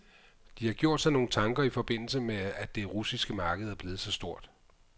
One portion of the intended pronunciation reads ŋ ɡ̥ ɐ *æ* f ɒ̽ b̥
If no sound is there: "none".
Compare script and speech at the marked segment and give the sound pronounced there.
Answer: i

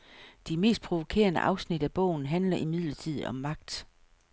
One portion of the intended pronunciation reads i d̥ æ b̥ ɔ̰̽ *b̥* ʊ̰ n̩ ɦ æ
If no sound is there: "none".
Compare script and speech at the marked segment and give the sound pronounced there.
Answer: none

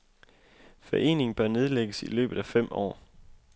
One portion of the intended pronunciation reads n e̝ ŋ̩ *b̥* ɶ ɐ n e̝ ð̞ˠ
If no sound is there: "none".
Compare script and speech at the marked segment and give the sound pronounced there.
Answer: b̥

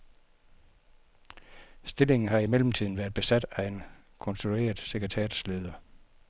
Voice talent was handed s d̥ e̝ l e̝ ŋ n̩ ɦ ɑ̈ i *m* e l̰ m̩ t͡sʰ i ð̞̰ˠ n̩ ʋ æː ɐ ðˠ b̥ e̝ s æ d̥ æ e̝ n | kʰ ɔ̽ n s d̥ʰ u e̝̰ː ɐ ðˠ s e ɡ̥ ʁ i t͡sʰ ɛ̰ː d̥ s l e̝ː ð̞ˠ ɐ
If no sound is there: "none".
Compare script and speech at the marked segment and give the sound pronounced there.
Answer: m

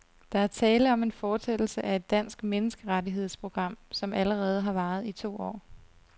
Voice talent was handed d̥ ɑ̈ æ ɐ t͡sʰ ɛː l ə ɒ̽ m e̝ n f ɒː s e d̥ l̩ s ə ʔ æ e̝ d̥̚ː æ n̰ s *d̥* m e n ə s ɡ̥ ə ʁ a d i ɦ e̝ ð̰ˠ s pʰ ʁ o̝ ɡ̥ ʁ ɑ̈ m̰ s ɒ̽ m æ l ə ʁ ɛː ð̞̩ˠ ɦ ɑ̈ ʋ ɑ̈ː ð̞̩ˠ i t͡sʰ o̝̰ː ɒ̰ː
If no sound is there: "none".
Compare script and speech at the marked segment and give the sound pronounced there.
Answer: ɡ̥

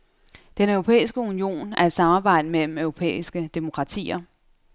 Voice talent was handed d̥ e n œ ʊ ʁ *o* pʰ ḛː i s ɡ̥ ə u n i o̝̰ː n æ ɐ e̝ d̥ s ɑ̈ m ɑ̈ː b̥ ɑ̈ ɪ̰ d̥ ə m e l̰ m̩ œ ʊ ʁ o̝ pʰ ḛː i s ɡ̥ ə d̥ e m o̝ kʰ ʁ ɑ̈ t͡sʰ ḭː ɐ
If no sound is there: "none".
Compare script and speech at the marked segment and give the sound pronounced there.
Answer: o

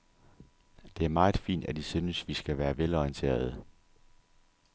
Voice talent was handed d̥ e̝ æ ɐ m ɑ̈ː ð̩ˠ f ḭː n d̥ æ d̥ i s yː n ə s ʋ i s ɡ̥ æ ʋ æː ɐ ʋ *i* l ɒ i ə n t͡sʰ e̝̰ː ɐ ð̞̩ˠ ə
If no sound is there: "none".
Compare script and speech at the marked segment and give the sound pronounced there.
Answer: e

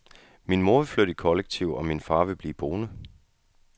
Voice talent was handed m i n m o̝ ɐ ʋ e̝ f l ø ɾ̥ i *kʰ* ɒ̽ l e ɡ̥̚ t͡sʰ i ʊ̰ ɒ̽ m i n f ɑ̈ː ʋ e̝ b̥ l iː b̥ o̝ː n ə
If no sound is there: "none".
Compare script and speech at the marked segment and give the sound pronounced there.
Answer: kʰ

